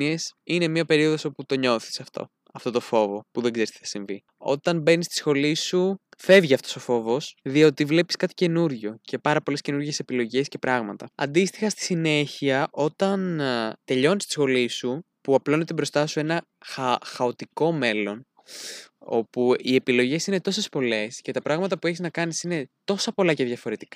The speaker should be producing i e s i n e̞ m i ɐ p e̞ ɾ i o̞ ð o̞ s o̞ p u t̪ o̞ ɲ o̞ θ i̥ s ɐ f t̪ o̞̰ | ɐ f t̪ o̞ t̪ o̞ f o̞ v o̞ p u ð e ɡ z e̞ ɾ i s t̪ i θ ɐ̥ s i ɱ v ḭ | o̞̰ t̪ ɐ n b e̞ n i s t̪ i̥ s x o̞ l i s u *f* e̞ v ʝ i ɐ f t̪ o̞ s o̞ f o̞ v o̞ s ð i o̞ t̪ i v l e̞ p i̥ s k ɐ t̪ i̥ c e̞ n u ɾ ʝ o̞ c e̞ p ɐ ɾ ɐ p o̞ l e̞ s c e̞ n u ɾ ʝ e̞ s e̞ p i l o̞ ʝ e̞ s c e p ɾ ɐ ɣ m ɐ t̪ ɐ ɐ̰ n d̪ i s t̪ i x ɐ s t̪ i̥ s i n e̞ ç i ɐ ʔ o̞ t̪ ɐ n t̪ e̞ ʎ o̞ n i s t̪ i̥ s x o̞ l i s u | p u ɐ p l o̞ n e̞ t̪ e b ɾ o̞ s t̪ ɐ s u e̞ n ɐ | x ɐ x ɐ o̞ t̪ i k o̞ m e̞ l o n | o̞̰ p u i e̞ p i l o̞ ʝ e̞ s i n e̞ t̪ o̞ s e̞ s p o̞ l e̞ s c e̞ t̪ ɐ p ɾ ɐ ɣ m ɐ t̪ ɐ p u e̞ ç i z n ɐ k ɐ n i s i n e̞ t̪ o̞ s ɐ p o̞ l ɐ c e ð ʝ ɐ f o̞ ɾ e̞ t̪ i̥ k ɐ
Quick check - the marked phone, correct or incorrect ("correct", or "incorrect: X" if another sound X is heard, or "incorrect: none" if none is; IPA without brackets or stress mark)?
correct